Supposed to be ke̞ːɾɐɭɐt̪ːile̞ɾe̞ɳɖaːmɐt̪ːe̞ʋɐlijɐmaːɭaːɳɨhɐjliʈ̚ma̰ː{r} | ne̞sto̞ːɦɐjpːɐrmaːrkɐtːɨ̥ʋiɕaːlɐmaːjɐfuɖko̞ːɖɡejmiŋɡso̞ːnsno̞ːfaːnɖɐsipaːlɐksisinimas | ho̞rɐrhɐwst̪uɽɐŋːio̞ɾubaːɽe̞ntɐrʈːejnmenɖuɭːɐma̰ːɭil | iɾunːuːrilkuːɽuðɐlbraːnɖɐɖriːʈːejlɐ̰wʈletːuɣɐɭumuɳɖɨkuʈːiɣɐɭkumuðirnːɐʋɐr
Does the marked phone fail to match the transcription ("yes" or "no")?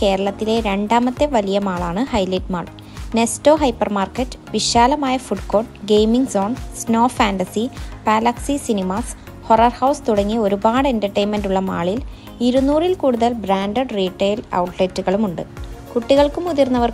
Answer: yes